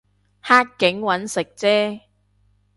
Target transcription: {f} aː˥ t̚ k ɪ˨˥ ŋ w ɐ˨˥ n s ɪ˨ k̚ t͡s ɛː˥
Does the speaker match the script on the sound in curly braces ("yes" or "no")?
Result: no